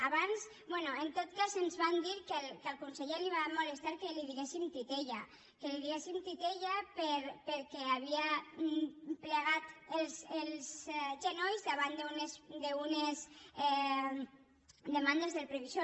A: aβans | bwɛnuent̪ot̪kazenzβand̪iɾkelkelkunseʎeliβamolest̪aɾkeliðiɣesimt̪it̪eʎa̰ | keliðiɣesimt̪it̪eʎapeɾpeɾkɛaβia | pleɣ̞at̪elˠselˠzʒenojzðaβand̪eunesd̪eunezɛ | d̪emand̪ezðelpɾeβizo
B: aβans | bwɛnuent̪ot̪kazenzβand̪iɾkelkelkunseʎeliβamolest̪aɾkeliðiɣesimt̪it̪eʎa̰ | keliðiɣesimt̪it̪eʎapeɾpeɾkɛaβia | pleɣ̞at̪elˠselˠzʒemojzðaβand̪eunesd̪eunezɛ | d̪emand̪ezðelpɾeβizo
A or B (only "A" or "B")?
A